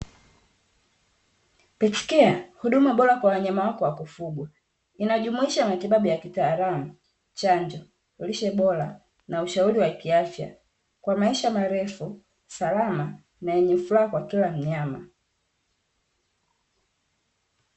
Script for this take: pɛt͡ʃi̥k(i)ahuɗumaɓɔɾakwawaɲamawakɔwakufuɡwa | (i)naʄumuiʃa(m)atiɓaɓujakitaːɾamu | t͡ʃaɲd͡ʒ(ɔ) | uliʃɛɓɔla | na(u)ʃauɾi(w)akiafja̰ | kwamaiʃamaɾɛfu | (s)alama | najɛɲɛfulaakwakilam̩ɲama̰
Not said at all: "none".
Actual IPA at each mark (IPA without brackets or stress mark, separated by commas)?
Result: ɛ, i, m, ɔ, u, w, s